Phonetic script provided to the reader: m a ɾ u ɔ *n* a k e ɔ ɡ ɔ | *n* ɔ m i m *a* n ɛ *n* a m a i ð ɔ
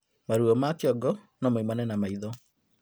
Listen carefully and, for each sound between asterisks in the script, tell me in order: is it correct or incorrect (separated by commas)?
incorrect, correct, correct, correct